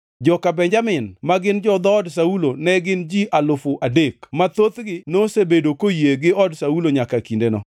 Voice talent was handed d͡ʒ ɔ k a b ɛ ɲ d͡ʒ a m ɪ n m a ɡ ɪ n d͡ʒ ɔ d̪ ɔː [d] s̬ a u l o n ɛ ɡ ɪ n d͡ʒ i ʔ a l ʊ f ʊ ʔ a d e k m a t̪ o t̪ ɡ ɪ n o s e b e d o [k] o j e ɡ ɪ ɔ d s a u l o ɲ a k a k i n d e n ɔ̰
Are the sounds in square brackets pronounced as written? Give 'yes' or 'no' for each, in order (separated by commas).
yes, yes